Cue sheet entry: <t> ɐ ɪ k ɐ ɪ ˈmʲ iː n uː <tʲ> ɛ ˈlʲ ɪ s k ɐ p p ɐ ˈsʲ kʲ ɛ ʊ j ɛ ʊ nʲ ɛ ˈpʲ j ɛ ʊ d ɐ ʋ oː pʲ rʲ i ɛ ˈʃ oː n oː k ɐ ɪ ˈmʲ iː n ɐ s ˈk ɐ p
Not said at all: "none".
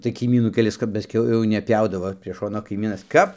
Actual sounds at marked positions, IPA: t, kʲ

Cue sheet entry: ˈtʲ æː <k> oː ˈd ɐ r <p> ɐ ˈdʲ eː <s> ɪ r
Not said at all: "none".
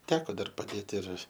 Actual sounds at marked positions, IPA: k, p, t

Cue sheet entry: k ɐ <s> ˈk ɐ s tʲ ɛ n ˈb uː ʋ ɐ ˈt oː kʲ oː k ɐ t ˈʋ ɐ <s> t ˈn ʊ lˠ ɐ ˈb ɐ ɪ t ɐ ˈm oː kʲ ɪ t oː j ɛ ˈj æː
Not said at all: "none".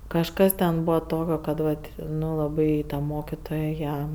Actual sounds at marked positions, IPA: ʃ, none

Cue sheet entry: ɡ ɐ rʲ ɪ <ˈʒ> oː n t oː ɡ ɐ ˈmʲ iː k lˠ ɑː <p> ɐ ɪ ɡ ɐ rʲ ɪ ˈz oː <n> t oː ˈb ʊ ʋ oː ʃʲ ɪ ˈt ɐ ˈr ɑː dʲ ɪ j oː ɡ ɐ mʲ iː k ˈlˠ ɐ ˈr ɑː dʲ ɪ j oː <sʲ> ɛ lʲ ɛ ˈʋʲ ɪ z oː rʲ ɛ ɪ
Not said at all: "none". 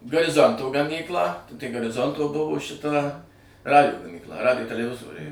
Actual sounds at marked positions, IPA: z, t, n, tʲ

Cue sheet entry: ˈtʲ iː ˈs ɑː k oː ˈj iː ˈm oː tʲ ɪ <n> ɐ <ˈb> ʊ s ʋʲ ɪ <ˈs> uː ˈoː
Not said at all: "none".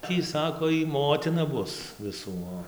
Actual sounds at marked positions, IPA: n, b, s

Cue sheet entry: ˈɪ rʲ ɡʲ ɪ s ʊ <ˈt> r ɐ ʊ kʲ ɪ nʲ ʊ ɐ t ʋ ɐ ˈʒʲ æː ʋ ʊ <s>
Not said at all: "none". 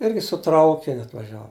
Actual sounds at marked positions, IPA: t, none

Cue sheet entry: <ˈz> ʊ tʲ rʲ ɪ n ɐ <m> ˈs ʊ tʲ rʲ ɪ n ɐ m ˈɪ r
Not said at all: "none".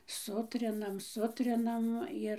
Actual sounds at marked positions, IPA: s, m

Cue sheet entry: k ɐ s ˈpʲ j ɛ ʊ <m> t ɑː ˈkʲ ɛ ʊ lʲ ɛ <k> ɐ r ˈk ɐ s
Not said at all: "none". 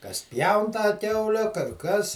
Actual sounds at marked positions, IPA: n, k

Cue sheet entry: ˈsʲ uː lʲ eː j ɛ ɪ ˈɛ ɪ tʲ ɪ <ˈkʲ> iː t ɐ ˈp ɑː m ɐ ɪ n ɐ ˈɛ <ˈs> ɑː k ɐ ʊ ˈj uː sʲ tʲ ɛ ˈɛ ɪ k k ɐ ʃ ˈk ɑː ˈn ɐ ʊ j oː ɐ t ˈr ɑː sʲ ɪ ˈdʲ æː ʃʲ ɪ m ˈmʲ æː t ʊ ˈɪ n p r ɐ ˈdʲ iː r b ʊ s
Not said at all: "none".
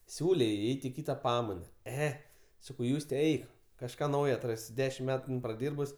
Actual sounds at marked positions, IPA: kʲ, s

